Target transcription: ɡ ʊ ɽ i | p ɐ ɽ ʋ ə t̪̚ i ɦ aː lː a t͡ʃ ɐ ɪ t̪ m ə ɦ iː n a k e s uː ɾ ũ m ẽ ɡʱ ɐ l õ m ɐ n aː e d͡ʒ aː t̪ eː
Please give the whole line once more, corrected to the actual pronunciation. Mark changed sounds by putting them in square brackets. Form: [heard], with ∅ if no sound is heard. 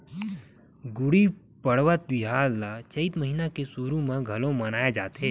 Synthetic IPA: ɡ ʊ ɽ i | p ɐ ɽ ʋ ə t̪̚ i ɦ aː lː a t͡ʃ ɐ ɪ t̪ m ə ɦ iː n a k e s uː ɾ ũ m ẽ ɡʱ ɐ l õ m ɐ n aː e d͡ʒ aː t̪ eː